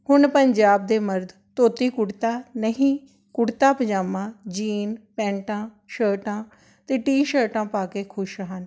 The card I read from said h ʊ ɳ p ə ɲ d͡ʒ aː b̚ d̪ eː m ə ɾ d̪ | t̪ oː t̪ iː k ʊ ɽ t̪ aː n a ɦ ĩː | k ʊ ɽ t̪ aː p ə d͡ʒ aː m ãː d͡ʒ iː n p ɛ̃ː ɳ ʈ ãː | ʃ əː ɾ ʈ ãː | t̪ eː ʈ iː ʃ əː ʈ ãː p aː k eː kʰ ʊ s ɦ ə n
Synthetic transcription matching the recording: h ʊ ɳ p ə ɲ d͡ʒ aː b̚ d̪ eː m ə ɾ d̪ | t̪ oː t̪ iː k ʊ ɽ t̪ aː n ə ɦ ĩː | k ʊ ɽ t̪ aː p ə d͡ʒ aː m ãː d͡ʒ iː n p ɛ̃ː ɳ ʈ ãː | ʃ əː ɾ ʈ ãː | t̪ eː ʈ iː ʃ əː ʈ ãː p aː k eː kʰ ʊ ʃ ɦ ə n